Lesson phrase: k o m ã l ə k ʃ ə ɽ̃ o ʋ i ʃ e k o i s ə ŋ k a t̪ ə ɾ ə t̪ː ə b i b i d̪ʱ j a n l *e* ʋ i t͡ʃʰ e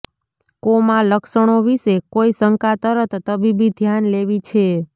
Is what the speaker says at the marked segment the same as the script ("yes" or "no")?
yes